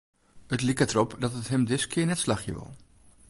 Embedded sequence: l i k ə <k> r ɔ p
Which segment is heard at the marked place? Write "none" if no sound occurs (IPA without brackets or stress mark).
t